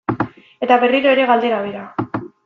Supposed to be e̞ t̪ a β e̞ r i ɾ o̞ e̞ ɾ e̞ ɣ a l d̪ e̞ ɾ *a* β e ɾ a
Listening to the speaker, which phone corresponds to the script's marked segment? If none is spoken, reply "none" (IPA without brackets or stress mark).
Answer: a